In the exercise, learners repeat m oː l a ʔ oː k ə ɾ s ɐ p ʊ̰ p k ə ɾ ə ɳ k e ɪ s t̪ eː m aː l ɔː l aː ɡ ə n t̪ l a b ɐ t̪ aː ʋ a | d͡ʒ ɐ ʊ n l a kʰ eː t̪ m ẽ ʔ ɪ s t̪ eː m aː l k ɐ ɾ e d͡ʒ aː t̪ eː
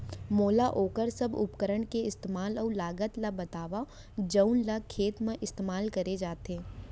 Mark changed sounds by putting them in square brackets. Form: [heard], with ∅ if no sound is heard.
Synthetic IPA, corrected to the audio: m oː l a ʔ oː k ə ɾ s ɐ [b] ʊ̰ p k ə ɾ ə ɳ k e ɪ s t̪ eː m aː l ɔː l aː ɡ ə [∅] t̪ l a b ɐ t̪ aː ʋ a | d͡ʒ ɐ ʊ n l a kʰ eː t̪ m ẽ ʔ ɪ s t̪ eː m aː l k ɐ ɾ e d͡ʒ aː t̪ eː